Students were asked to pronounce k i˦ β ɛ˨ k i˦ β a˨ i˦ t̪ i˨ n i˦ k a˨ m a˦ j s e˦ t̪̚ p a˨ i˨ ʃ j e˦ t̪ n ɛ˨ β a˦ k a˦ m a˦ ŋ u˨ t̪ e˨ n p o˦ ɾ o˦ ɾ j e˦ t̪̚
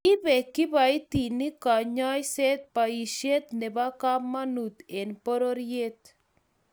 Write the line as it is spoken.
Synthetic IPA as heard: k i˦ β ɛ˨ k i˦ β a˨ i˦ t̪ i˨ n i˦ k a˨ ɲ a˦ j s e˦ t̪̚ p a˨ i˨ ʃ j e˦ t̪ n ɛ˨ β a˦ k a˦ m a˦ n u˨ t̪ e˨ n p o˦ ɾ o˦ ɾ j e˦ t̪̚

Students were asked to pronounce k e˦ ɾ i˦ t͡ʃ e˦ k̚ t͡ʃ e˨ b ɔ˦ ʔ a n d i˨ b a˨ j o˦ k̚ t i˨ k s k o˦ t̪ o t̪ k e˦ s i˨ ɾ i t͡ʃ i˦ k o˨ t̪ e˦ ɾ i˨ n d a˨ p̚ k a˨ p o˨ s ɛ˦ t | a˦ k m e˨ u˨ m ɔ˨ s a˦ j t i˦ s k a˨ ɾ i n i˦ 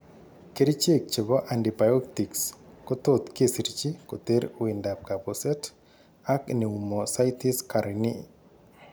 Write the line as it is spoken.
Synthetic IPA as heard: k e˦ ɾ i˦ t͡ʃ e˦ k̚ t͡ʃ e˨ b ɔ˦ ʔ a n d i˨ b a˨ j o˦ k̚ t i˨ k s k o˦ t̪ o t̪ k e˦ s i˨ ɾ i t͡ʃ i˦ k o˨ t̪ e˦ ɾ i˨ n d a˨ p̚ k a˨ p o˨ s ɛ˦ t | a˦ k n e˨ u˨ m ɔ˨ s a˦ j t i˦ s k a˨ ɾ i n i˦

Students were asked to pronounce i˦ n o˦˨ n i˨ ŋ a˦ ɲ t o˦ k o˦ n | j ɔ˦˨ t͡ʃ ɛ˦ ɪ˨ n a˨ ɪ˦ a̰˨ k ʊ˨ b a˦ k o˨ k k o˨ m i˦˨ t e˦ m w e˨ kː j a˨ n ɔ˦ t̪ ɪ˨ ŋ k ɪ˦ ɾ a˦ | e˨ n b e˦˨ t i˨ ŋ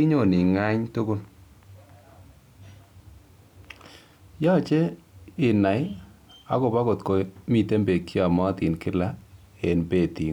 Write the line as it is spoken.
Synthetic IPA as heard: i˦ ɲ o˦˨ n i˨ ŋ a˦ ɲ t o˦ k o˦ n | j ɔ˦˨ t͡ʃ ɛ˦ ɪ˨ n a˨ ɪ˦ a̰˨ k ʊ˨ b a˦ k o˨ t k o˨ m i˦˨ t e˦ m b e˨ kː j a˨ m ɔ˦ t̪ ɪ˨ n k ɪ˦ l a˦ | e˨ n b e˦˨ t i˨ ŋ

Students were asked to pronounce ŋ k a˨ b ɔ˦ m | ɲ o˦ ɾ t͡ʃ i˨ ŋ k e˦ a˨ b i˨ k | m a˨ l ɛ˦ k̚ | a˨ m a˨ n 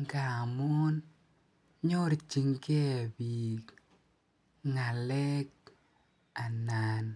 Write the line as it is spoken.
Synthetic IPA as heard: ŋ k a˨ m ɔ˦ n | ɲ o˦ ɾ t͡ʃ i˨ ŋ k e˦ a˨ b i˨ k | ŋ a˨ l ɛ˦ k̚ | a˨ n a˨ n

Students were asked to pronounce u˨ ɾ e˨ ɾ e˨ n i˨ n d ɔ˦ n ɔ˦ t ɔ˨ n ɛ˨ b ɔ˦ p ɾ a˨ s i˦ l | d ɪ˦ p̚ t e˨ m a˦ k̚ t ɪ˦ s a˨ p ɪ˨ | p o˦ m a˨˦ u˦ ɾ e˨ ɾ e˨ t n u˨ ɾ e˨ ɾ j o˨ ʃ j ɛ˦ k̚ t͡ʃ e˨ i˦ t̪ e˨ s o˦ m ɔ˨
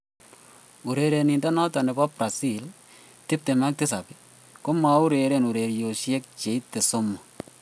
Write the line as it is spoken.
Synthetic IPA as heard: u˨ ɾ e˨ ɾ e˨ n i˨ n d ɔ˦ n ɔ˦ t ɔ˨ n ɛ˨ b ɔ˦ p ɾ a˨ s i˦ l | t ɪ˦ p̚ t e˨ m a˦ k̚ t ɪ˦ s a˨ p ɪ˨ | k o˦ m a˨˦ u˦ ɾ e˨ ɾ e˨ n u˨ ɾ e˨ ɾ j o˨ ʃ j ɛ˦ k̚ t͡ʃ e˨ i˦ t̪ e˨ s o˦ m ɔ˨

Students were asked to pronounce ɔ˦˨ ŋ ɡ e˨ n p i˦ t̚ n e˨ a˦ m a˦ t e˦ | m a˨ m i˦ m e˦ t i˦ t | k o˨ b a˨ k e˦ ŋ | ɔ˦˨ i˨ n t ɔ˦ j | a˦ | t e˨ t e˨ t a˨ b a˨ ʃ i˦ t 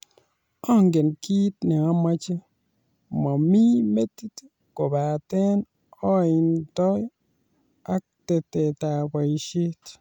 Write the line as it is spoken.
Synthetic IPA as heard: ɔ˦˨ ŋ ɡ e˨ n k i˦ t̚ n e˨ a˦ m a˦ t͡ʃ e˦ | m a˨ m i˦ m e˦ t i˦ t | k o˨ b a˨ t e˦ n | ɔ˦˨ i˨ n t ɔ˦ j | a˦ | t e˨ t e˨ t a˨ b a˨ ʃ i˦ t

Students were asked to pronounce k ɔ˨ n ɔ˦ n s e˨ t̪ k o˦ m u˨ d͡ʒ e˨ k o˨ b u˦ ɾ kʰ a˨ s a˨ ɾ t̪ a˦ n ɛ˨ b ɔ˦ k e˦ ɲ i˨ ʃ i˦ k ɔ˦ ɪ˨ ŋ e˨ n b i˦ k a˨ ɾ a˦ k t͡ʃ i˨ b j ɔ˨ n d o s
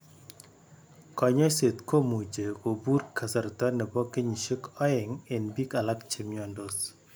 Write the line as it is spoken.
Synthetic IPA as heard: k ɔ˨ ɲ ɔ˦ s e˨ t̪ k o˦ m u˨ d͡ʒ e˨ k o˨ b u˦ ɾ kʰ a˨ s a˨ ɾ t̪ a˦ n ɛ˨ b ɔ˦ k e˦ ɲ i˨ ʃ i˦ k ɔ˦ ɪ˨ ŋ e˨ n b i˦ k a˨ l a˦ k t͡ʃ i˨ m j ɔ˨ n d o s

